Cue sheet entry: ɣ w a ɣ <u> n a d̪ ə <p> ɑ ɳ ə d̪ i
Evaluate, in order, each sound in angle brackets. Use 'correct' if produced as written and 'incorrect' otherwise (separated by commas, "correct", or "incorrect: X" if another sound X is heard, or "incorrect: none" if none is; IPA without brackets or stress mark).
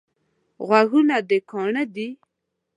correct, incorrect: k